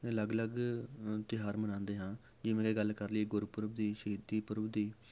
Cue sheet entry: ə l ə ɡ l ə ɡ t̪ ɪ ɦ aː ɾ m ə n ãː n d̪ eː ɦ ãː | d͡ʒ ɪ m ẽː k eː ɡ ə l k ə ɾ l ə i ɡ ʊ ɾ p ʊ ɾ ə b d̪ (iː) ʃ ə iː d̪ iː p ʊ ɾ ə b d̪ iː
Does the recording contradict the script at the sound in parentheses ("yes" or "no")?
no